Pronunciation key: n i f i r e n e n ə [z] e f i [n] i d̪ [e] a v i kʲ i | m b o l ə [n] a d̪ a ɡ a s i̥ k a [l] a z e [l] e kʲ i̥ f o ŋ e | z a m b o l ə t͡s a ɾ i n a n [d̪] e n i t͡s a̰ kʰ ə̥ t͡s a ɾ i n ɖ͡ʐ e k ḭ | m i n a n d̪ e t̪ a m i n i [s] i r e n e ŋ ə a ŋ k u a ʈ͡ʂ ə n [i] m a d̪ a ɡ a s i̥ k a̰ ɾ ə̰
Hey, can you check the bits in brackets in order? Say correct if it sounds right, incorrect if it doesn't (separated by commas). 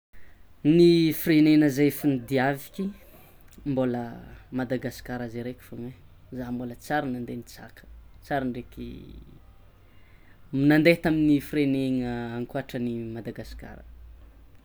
correct, correct, incorrect, incorrect, incorrect, incorrect, correct, incorrect, correct